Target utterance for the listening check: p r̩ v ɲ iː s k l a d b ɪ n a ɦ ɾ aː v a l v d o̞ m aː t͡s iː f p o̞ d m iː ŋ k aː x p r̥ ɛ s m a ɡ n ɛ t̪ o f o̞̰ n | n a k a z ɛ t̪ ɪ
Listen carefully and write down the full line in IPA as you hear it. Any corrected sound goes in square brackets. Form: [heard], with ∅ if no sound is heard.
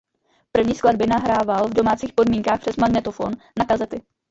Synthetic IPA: p r̩ v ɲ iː s k l a d b ɪ n a ɦ ɾ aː v a l v d o̞ m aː t͡s iː [x] p o̞ d m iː ŋ k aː x p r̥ ɛ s m a ɡ n ɛ t̪ o f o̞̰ n | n a k a z ɛ t̪ ɪ